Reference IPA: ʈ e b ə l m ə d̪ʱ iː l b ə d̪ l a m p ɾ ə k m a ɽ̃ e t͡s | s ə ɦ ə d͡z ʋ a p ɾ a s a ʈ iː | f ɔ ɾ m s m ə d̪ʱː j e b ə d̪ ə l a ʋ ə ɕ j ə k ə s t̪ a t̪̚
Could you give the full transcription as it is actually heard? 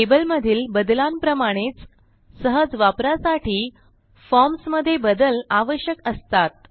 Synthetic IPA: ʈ e b ə l m ə d̪ʱ iː l b ə d̪ l a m p ɾ ə m a ɽ̃ e t͡s | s ə ɦ ə d͡z ʋ a p ɾ a s a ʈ iː | f ɔ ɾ m s m ə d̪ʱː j e b ə d̪ ə l a ʋ ə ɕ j ə k ə s t̪ a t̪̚

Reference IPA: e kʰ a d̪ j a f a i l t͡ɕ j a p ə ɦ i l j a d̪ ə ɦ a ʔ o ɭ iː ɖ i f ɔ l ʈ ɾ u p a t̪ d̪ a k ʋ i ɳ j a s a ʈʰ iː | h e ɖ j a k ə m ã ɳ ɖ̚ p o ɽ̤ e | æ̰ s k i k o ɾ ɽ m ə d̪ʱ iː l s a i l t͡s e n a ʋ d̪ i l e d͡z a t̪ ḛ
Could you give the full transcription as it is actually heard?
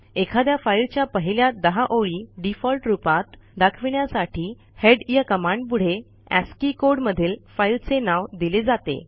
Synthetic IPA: e kʰ a d̪ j a f a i l t͡ɕ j a p ə ɦ i l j a d̪ ə ɦ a ʔ o ɭ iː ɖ i f ɔ l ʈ ɾ u p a t̪ d̪ a kʰ ʋ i ɳ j a s a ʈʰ iː | h e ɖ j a k ə m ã ɳ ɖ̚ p u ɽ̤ e | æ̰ s k i k o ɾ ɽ m ə d̪ʱ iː l f a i l t͡s e n a ʋ d̪ i l e d͡z a t̪ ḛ

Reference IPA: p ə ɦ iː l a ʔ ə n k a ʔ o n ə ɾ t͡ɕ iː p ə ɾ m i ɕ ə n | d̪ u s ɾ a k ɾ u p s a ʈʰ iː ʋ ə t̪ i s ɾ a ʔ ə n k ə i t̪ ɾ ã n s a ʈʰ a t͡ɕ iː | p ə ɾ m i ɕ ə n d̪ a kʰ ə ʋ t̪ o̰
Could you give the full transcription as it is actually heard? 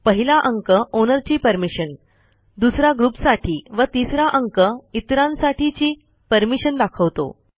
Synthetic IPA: p ə ɦ i l a ʔ ə ŋ k ə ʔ o n ə ɾ t͡ɕ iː p ə ɾ m i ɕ ə n | d̪ u s ɾ a ɡ ɾ u p s a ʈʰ iː ʋ ə t̪ i s ɾ a ʔ ə ŋ k ə i t̪ ɾ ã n s a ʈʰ i t͡ɕ iː | p ə ɾ m i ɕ ə n d̪ a kʰ ə ʋ t̪ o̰

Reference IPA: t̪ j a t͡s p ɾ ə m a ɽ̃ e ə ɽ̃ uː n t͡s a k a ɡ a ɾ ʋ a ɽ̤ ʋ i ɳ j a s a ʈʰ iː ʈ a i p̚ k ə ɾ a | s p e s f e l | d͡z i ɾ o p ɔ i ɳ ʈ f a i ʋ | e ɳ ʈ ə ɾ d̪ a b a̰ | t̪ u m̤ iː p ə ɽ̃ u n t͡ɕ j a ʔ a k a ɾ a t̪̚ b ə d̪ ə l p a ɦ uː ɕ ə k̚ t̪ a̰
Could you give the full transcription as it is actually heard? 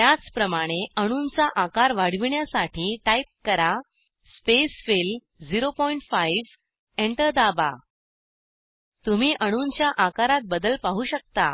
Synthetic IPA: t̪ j a t͡s p ɾ ə m a ɽ̃ e ə ɽ̃ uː n t͡s a ʔ a k a ɾ ʋ a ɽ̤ ʋ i ɳ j a s a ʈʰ iː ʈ a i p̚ k ə ɾ a | s p e s f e l | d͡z i ɾ o p ɔ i ɳ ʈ f a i ʋ | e ɳ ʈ ə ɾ d̪ a b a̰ | t̪ u m̤ iː ʔ ə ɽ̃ u n t͡ɕ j a ʔ a k a ɾ a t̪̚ b ə d̪ ə l p a ɦ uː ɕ ə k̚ t̪ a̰

